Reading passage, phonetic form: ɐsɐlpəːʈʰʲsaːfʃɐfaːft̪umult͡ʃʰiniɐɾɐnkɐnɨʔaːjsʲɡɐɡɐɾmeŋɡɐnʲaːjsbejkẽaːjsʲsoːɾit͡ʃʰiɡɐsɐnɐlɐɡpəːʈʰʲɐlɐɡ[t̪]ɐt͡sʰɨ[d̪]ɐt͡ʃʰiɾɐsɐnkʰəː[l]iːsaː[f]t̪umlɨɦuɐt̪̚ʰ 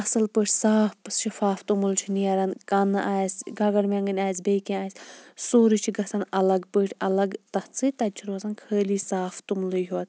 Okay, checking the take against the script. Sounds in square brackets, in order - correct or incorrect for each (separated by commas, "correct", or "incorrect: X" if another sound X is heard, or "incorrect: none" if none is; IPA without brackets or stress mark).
correct, incorrect: t̪, correct, correct